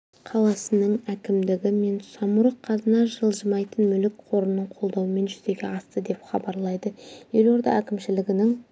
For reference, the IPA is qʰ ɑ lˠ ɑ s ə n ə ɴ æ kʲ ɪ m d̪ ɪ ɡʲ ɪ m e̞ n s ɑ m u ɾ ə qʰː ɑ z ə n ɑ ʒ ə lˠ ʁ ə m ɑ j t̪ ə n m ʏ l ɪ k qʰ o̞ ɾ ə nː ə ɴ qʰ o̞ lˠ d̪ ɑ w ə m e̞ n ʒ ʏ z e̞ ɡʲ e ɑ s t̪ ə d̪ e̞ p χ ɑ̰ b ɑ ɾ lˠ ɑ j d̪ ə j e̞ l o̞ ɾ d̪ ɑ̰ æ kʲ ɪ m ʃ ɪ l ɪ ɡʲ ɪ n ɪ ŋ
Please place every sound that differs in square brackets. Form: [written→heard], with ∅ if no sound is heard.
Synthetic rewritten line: qʰ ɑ lˠ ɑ s ə n ə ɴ æ kʲ ɪ m d̪ ɪ ɡʲ ɪ m e̞ n s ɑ m u ɾ ə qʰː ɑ z ə n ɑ ʒ ə lˠ [ʁ→ʒ] ə m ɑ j t̪ ə n m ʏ l ɪ k qʰ o̞ ɾ ə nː ə ɴ qʰ o̞ lˠ d̪ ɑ w ə m e̞ n ʒ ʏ z e̞ ɡʲ e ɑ s t̪ ə d̪ e̞ p χ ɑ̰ b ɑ ɾ lˠ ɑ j d̪ ə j e̞ l o̞ ɾ d̪ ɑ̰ æ kʲ ɪ m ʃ ɪ l ɪ ɡʲ ɪ n ɪ ŋ